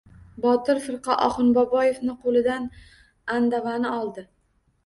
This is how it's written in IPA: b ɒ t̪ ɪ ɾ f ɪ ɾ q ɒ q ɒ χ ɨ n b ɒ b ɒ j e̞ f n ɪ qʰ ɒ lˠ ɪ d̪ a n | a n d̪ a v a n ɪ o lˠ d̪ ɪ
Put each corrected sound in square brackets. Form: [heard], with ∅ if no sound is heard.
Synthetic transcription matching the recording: b ɒ t̪ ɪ ɾ f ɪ ɾ q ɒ [ʔ] ɒ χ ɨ n b ɒ b ɒ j e̞ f n ɪ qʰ [o] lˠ ɪ d̪ a n | a n d̪ a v a n ɪ [ɒ] lˠ d̪ ɪ

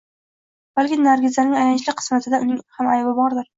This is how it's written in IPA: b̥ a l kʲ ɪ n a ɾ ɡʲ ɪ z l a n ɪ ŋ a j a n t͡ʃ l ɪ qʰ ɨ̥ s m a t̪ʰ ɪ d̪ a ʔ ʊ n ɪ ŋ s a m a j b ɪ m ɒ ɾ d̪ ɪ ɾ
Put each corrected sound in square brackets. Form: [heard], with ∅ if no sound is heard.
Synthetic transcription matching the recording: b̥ a l kʲ ɪ n a ɾ ɡʲ ɪ z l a n ɪ ŋ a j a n t͡ʃ l ɪ qʰ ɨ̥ s m a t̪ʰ ɪ d̪ a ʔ ʊ n ɪ ŋ [h] a m a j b ɪ [b] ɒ ɾ d̪ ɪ ɾ

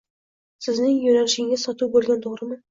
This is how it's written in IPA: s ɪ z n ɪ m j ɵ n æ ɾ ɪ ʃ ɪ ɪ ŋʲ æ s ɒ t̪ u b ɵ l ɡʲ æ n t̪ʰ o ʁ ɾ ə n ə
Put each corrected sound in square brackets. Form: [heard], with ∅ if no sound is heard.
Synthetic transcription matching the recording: s ɪ z n ɪ [ŋ] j ɵ n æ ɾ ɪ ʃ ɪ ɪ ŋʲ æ s ɒ t̪ u b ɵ l ɡʲ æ n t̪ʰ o ʁ ɾ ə [m] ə

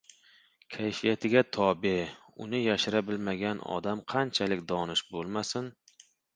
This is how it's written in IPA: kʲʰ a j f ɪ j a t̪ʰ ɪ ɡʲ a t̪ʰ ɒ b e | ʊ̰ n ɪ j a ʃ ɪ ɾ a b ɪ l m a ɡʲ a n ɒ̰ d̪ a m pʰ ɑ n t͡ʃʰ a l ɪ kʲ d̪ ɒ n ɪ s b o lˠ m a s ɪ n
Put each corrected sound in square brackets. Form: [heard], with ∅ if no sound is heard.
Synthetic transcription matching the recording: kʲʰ a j f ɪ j a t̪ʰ ɪ ɡʲ a t̪ʰ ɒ b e | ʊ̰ n ɪ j a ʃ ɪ ɾ a b ɪ l m a ɡʲ a n ɒ̰ d̪ a m [qʰ] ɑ n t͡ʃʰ a l ɪ kʲ d̪ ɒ n ɪ [ʃ] b o lˠ m a s ɪ n

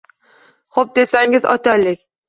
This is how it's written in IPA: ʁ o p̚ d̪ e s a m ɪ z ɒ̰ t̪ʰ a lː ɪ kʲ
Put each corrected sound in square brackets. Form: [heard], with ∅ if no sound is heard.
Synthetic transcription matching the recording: [χ] o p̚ d̪ e s a [ŋ] ɪ z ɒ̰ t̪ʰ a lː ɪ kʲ

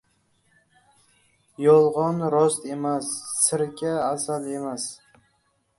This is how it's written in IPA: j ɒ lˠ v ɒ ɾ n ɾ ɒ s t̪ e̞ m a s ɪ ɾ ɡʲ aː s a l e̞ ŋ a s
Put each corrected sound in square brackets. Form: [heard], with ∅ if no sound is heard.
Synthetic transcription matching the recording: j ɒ lˠ [ʁ] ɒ [∅] n ɾ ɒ s t̪ e̞ m a [sː] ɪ ɾ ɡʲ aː s a l e̞ [m] a s

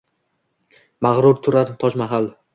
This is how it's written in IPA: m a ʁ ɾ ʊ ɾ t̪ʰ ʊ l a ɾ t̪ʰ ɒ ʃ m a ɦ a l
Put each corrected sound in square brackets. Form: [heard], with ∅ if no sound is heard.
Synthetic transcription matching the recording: m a ʁ ɾ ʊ ɾ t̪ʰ ʊ [ɾ] a ɾ t̪ʰ ɒ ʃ m a ɦ a l

